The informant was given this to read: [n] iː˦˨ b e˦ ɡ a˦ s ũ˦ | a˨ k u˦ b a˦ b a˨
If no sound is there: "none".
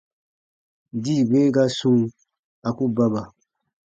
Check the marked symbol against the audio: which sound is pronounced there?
d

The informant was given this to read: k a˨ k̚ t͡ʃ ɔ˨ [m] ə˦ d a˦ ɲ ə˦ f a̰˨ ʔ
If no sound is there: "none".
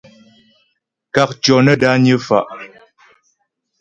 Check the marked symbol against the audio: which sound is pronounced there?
n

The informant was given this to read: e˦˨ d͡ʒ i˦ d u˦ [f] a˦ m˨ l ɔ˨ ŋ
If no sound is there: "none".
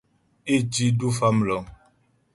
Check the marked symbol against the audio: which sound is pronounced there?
f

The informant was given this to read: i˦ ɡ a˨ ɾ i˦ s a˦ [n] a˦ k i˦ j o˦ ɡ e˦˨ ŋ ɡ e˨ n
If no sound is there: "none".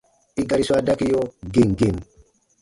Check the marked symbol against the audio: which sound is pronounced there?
d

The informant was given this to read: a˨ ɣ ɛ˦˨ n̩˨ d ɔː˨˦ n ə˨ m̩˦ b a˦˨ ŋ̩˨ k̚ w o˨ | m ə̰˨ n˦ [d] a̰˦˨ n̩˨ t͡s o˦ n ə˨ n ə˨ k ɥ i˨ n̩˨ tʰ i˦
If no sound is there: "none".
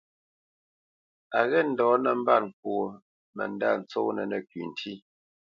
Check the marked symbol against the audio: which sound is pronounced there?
d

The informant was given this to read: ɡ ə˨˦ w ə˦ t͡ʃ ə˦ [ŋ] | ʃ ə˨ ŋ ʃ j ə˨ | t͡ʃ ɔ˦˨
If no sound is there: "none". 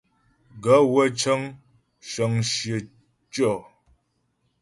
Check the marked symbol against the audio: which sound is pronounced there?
ŋ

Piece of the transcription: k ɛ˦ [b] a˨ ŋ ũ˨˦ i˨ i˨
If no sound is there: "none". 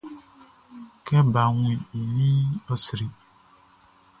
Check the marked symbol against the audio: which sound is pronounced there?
b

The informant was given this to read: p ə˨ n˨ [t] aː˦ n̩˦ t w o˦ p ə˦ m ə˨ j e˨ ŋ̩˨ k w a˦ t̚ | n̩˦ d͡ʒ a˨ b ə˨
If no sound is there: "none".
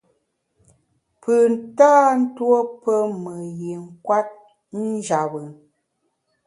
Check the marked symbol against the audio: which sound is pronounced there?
t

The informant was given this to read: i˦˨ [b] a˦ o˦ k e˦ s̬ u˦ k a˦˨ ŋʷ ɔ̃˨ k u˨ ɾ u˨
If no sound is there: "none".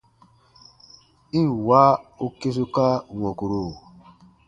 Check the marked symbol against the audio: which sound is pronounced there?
w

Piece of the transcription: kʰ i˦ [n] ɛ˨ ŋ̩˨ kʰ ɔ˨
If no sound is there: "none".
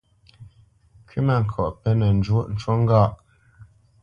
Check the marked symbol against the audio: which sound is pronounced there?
m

